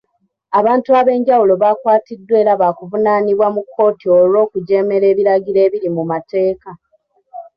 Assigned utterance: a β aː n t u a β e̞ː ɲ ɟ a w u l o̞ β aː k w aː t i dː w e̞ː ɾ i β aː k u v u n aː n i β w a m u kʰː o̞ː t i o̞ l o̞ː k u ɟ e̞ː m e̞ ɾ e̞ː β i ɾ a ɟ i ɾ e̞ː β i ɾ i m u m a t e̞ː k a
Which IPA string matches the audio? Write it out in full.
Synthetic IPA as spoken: a β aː n t u a β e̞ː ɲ ɟ a w u l o̞ β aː k w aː t i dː w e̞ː ɾ a β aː k u v u n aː n i β w a m u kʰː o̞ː t i o̞ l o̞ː k u ɟ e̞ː m e̞ ɾ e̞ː β i ɾ a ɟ i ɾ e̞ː β i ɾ i m u m a t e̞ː k a